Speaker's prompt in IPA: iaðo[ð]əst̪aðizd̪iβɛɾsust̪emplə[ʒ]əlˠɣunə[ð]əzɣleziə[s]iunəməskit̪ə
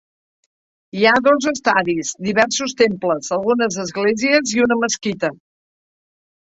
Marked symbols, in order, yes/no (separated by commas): no, no, no, no